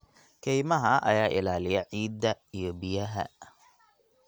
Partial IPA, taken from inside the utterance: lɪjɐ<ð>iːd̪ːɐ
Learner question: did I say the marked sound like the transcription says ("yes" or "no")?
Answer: no